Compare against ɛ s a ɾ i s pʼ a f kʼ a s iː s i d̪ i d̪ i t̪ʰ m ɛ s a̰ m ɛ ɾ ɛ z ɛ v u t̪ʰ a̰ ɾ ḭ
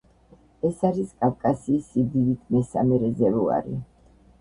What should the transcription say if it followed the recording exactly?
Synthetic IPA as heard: ɛ s a ɾ i s kʼ a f kʼ a s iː s i d̪ i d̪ i t̪ʰ m ɛ s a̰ m ɛ ɾ ɛ z ɛ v u a̰ ɾ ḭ